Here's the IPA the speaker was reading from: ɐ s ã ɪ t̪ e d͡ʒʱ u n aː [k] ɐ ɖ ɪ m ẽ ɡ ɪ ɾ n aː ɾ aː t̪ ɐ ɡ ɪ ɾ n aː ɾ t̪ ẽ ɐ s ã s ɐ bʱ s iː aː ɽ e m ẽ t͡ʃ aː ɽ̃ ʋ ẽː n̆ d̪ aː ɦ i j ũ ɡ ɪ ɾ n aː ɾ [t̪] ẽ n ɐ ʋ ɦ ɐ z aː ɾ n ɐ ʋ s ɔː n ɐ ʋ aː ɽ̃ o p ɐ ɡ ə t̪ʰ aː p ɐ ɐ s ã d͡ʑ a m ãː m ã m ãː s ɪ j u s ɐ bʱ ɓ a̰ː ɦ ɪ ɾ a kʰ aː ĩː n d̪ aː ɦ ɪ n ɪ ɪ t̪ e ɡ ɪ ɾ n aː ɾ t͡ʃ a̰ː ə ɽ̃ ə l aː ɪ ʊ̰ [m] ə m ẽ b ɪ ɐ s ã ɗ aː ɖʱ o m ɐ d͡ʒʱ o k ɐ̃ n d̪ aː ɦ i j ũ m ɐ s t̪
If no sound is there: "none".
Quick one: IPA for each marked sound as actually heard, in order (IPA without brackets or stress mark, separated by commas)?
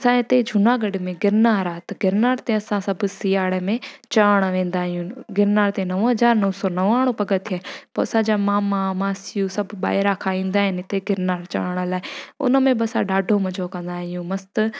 ɡ, t̪, n